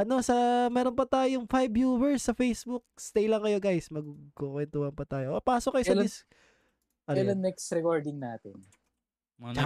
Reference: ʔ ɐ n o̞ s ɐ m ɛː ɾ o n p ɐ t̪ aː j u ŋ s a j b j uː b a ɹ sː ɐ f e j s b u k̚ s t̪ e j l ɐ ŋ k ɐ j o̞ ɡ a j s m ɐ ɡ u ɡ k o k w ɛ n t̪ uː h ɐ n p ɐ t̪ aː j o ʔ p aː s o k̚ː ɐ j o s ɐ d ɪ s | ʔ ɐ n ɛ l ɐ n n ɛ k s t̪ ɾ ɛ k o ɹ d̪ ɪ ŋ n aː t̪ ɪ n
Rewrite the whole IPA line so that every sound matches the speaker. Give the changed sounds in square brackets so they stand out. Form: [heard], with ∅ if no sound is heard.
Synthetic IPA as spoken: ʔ ɐ n o̞ s ɐ m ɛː ɾ o n p ɐ t̪ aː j [o] ŋ [f] a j b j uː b [ɛ] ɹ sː ɐ f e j s b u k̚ s t̪ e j l ɐ ŋ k ɐ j o̞ ɡ a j s m ɐ ɡ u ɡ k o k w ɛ n t̪ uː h ɐ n p ɐ t̪ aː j o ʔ p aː s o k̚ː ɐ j o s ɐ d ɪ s | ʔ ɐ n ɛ l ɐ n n ɛ k s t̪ ɾ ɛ k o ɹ d̪ ɪ ŋ n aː t̪ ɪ n